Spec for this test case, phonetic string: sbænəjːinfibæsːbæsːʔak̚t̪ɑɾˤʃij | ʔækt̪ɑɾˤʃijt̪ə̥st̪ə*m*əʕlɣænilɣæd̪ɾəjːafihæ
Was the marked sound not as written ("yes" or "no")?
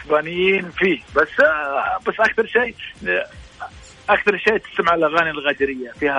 no